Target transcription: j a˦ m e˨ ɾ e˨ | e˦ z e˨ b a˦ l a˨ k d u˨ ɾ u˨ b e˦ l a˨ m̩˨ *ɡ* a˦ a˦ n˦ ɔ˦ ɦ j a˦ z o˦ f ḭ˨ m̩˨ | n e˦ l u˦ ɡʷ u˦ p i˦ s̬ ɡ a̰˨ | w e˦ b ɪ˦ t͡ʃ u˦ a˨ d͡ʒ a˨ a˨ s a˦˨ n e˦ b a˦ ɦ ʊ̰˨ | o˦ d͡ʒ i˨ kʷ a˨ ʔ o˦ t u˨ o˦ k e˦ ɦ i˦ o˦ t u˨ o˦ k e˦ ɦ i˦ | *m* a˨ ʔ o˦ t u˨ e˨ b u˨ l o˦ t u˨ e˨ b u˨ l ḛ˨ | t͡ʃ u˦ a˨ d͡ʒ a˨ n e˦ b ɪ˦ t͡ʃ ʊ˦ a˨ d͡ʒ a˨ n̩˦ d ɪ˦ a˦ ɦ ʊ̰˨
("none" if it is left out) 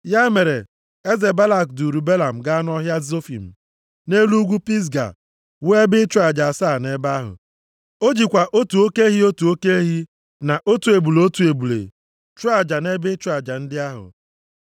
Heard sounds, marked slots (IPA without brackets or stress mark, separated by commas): ɡ, n